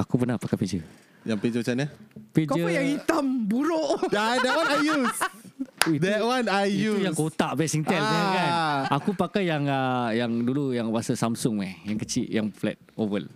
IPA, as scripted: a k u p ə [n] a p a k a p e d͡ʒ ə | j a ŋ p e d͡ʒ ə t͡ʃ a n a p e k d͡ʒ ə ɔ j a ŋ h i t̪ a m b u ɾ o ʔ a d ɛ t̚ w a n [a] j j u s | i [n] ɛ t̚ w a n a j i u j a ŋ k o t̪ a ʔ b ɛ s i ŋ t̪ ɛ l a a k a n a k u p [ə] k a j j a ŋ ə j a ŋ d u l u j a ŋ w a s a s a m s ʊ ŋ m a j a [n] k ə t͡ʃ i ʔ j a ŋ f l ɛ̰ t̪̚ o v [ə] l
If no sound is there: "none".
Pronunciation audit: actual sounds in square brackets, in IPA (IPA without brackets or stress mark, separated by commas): n, a, d, a, ŋ, ə